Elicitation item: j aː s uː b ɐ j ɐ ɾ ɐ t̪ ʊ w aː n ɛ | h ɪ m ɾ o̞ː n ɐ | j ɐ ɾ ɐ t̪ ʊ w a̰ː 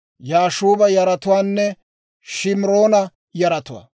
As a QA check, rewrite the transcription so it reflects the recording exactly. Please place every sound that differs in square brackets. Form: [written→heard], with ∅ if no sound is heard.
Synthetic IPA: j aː [s→ʃ] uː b ɐ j ɐ ɾ ɐ t̪ ʊ w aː [n→nː] ɛ | [h→ʃ] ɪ m ɾ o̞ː n ɐ | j ɐ ɾ ɐ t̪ ʊ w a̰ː

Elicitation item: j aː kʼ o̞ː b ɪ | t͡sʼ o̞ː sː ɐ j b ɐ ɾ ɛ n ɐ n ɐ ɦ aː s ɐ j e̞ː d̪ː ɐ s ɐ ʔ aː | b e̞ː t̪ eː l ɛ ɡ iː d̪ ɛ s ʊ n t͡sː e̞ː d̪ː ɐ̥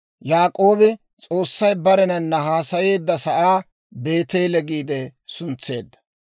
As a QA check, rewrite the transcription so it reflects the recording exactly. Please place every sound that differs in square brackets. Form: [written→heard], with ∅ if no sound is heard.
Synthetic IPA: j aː kʼ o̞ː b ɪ | t͡sʼ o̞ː sː ɐ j b ɐ ɾ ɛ n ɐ [n→nː] ɐ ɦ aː s ɐ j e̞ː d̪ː ɐ s ɐ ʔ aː | b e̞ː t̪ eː l ɛ ɡ iː d̪ ɛ s ʊ n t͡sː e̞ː d̪ː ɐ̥

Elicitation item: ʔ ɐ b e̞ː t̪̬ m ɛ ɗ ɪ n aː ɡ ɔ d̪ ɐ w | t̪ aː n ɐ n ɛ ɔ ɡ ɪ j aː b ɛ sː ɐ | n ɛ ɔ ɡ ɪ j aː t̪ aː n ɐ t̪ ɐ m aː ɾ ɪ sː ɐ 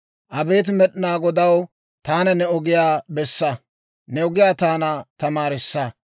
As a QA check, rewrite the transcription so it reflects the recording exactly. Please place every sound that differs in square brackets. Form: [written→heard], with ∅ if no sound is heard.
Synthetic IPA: ʔ ɐ b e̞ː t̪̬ m ɛ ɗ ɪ n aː ɡ ɔ d̪ ɐ w | t̪ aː n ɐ n ɛ ɔ ɡ ɪ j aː b ɛ sː ɐ | n ɛ ɔ ɡ ɪ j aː t̪ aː n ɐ t̪ ɐ m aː ɾ ɪ sː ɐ

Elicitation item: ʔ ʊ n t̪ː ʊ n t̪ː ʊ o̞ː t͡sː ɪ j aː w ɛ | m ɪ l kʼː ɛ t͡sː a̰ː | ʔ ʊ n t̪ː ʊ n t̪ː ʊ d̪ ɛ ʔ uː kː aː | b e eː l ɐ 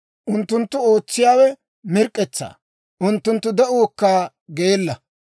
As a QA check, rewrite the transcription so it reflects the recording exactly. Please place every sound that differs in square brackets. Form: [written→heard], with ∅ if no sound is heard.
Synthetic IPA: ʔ ʊ n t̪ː ʊ n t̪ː ʊ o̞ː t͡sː ɪ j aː w ɛ | m ɪ [l→ɾ] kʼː ɛ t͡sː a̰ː | ʔ ʊ n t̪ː ʊ n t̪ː ʊ d̪ ɛ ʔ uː kː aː | [b→ɡ] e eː [l→lː] ɐ

